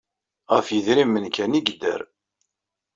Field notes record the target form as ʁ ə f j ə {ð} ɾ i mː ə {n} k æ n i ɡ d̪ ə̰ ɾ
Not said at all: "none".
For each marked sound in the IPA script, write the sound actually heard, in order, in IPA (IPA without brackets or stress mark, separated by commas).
ð, n